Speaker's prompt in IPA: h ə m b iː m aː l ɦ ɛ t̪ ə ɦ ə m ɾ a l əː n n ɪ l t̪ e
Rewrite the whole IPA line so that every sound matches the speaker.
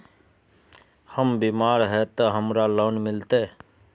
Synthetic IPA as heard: h ə m b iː m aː ɾ ɦ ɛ t̪ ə ɦ ə m ɾ a l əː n m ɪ l t̪ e